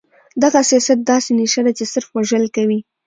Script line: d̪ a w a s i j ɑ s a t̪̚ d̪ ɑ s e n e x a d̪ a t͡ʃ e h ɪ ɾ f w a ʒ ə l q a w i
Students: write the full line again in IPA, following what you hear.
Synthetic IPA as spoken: d̪ a ɣ a s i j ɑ s a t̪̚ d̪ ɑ s e n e ʃ a d̪ a t͡ʃ e s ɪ ɾ f w a ʒ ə l k a w i

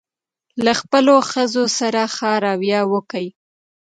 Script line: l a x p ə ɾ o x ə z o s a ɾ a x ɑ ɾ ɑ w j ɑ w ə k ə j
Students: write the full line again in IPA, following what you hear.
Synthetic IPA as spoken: l a x p ə l o x ə z o s a ɾ a x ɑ ɾ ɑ w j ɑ w ə k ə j

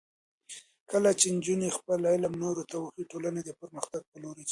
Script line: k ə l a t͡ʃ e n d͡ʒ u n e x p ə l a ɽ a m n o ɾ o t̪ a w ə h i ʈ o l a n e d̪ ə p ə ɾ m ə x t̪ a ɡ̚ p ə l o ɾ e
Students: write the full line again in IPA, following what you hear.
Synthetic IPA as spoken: k ə l a t͡ʃ e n d͡ʒ u n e x p ə l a l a m n o ɾ o t̪ a w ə x i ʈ o l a n e d̪ ə p ə ɾ m ə x t̪ a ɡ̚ p ə l o ɾ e

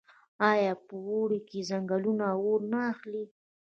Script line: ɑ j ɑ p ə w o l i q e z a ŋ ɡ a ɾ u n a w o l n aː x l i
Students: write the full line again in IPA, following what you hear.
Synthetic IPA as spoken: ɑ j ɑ p ə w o ɽ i k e z a ŋ ɡ a l u n a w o ɾ n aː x l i

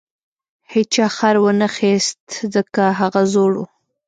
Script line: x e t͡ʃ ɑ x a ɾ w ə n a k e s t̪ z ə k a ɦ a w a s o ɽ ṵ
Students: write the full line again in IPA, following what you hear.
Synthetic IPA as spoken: h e t͡ʃ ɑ x a ɾ w ə n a x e s t̪ z ə k a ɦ a ɣ a z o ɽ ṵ

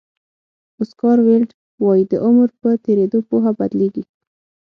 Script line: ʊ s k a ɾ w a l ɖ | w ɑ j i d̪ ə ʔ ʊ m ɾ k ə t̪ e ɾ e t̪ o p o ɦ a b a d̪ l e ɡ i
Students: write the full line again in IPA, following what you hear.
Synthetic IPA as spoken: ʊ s k ɑ ɾ w e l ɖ | w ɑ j i d̪ ə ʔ ʊ m ɾ p ə t̪ e ɾ e d̪ o p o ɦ a b a d̪ l e ɡ i

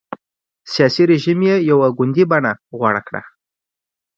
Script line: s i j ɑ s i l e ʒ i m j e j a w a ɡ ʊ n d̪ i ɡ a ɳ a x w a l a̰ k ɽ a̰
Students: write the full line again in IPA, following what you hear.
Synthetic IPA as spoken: s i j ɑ s i ɾ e ʒ i m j e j a w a ɡ ʊ n d̪ i b a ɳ a ɣ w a ɽ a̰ k ɽ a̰

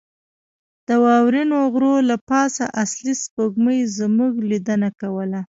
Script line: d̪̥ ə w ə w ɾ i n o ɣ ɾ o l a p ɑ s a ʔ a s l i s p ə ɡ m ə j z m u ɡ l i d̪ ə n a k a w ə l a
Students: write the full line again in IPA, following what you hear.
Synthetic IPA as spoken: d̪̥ ə w ɑ w ɾ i n o ɣ ɾ o l a p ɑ s a ʔ a s l i s p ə ɡ m ə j z m u ɡ l i d̪ ə n a k a w ə l a

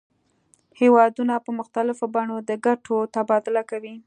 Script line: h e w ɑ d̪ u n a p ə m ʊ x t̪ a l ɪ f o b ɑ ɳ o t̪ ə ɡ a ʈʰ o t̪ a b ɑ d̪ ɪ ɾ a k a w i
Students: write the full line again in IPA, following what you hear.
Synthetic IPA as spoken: h e w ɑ d̪ u n a p ə m ʊ x t̪ a l ɪ f o b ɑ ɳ o d̪ ə ɡ a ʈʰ o t̪ a b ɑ d̪ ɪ l a k a w i

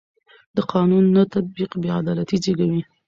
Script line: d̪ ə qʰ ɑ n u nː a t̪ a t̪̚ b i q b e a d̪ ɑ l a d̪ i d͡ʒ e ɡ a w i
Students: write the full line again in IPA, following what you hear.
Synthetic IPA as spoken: d̪ ə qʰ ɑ n u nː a t̪ a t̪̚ b i q b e a d̪ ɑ l a t̪ i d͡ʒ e ɡ a w i

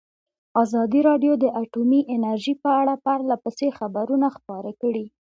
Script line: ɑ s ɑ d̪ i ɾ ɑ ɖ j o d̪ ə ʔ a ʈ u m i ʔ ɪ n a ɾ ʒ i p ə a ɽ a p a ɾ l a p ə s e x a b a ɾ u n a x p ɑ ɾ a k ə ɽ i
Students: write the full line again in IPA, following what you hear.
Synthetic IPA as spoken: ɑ z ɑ d̪ i ɾ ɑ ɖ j o d̪ ə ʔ a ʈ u m i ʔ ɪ n a ɾ ʒ i p ə a ɽ a p a ɾ l a p ə s e x a b a ɾ u n a x p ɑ ɾ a k ə ɽ i

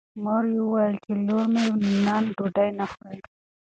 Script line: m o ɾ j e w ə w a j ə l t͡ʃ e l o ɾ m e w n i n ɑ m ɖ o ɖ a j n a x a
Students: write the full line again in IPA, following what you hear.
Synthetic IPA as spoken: m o ɾ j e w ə w a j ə l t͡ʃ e l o ɾ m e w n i n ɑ n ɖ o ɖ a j n a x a

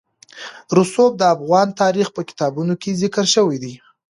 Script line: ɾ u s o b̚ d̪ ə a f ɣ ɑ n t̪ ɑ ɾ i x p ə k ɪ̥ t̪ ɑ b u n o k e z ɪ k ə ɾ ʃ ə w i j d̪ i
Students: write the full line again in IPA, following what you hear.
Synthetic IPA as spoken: ɾ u s o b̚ d̪ ə a f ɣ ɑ n t̪ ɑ ɾ i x p ə k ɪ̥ t̪ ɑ b u n o k e z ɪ k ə ɾ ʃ ə w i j d̪ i

